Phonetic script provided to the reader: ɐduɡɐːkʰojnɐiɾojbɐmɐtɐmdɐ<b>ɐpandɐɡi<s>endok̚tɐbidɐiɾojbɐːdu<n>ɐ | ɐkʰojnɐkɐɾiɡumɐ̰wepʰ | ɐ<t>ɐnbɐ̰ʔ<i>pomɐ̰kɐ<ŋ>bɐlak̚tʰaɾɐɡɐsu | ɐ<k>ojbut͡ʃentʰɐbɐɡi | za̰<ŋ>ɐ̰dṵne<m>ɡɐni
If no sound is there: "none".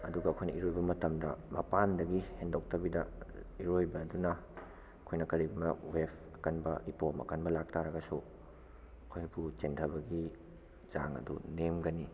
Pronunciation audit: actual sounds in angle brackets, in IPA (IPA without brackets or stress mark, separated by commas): m, h, n, k, i, n, kʰ, ŋ, m